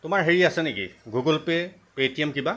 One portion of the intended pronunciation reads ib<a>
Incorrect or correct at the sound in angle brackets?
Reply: correct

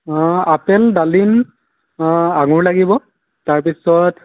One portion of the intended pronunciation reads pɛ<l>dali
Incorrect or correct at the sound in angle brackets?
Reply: correct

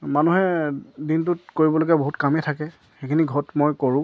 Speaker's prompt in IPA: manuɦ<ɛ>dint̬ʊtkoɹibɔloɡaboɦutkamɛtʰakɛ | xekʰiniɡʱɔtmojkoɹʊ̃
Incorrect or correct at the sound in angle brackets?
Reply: correct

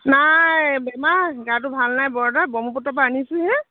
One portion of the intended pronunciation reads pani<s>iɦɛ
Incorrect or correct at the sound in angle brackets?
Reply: correct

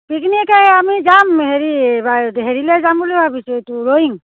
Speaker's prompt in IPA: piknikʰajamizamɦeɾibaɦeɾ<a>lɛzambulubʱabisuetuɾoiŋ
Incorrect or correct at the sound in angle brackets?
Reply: incorrect: i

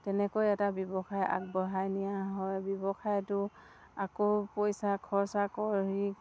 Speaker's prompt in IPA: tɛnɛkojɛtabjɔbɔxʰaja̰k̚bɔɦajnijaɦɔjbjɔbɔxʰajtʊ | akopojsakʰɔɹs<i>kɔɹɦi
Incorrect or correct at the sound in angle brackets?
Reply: incorrect: a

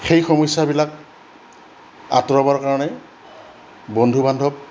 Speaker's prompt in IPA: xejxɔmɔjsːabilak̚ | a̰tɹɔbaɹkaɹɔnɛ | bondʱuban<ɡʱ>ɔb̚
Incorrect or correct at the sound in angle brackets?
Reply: incorrect: dʱ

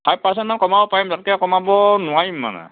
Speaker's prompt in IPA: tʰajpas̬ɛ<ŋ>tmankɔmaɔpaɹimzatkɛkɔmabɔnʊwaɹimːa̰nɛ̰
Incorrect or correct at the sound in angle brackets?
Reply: incorrect: n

